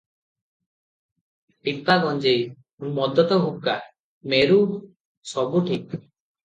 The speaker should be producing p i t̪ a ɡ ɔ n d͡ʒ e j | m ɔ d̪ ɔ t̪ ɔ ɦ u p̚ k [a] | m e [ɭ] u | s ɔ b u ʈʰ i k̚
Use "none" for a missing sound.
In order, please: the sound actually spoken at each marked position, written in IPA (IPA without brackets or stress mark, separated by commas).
a, ɾ